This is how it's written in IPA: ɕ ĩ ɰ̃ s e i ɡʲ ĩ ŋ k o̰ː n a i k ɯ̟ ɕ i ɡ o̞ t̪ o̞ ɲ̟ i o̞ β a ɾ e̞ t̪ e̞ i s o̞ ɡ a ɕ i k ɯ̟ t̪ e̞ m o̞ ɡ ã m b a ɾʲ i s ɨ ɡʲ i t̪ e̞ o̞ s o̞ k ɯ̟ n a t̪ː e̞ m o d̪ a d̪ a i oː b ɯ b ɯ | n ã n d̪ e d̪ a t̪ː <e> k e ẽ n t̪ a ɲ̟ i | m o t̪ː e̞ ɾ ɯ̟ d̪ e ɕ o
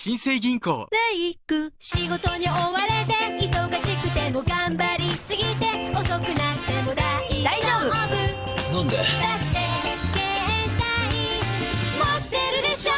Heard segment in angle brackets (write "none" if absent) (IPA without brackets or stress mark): e